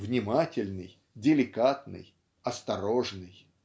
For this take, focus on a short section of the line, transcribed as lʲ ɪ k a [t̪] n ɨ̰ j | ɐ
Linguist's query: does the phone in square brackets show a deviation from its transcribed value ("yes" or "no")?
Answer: no